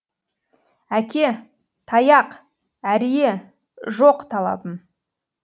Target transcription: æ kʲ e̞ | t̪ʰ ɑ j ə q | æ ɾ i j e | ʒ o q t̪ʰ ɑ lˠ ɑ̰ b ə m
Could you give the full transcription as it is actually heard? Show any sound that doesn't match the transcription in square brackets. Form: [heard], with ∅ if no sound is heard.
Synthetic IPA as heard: æ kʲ e̞ | t̪ʰ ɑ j [ɑ] q | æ ɾ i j e | ʒ o q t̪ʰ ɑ lˠ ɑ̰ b ə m